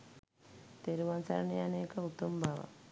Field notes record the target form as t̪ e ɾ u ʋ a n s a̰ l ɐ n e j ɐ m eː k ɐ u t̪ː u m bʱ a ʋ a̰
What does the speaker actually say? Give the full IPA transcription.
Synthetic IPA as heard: t̪ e ɾ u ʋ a n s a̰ ɾ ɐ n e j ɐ n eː k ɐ u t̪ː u m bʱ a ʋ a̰